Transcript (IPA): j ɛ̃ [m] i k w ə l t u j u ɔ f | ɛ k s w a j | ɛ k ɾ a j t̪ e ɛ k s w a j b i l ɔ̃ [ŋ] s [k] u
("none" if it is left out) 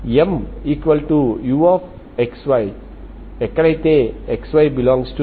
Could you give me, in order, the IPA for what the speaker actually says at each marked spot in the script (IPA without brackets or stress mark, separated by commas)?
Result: m, ŋ, t